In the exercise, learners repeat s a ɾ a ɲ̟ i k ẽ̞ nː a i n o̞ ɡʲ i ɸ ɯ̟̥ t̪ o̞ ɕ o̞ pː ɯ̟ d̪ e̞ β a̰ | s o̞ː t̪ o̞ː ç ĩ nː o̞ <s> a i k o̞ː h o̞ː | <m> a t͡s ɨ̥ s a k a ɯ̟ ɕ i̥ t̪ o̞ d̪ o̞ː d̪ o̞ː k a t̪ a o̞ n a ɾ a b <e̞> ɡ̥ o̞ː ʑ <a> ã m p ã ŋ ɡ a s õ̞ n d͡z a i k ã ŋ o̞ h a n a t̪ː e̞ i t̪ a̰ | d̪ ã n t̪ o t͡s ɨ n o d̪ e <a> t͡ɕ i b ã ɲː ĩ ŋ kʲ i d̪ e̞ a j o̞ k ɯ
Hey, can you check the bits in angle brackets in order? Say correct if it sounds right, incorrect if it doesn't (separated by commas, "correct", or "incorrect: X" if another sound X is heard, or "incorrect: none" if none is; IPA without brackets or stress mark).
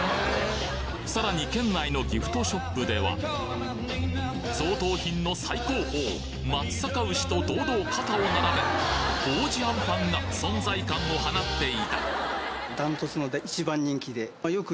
correct, correct, correct, incorrect: i, incorrect: i